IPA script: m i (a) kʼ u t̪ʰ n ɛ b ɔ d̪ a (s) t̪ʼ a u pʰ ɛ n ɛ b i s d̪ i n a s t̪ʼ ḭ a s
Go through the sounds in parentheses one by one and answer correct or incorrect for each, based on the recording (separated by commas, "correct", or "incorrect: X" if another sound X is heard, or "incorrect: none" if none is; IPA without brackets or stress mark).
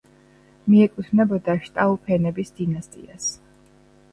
incorrect: ɛ, incorrect: ʃ